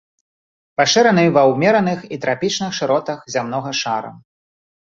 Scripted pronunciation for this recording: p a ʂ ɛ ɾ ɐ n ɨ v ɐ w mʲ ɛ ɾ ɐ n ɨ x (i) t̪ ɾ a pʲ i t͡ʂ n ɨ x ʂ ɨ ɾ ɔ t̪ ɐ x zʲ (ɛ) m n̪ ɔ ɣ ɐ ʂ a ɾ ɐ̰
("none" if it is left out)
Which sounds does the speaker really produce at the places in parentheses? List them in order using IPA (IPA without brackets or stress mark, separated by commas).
i, a